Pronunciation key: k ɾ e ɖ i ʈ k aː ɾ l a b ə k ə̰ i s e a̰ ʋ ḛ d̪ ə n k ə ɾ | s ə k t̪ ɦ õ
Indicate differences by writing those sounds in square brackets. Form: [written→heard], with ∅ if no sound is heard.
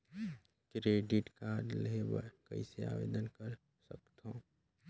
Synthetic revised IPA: k ɾ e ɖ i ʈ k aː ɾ l [a→e] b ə k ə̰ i s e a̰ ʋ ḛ d̪ ə n k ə ɾ | s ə k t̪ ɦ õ